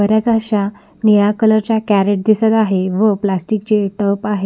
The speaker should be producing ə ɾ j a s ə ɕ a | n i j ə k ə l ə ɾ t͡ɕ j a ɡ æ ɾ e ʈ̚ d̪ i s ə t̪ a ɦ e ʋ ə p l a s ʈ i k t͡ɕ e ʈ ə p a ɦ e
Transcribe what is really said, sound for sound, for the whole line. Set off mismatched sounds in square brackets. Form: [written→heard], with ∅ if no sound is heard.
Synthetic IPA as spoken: ə ɾ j a [s→t͡s] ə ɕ a | n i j [ə→a] k ə l ə ɾ t͡ɕ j a [ɡ→k] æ ɾ e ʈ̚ d̪ i s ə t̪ a ɦ e ʋ ə p l a s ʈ i k t͡ɕ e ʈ ə p a ɦ e